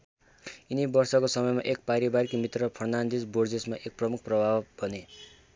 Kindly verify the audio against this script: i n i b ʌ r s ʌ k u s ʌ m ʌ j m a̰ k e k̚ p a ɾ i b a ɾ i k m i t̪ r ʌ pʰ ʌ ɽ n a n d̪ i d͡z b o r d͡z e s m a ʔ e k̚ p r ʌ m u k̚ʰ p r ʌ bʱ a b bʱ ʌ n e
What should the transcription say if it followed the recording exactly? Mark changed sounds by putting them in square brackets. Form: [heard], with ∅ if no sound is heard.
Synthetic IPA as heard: i n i b ʌ r s ʌ k [o] s ʌ m ʌ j m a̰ [ʔ] e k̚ p a ɾ i b a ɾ i k m i t̪ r ʌ pʰ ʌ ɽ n a n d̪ i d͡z b o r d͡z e s m a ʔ e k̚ p r ʌ m u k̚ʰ p r ʌ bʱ a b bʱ ʌ n e